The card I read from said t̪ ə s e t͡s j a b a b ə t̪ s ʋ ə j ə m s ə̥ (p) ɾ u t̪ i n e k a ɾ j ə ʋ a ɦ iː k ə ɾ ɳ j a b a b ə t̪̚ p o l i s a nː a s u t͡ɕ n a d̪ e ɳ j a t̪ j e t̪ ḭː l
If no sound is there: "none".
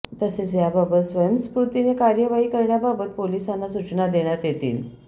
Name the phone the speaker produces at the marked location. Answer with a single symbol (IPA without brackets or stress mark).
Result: p